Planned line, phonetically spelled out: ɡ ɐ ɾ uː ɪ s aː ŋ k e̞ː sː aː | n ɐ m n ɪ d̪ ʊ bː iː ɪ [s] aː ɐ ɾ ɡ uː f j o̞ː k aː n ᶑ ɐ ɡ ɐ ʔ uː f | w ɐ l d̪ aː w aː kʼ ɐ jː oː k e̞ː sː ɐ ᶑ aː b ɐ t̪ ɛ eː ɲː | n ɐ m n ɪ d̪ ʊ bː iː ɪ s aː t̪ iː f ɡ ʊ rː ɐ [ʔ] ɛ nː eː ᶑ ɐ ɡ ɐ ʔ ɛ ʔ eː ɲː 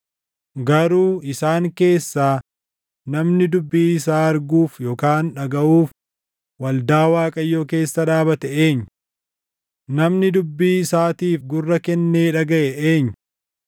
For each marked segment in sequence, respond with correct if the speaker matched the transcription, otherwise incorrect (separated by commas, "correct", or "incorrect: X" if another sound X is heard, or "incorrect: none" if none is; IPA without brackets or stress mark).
correct, incorrect: k